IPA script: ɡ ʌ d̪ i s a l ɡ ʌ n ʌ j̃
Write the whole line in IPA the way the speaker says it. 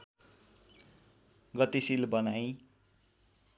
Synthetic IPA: ɡ ʌ t̪ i s i l b ʌ n a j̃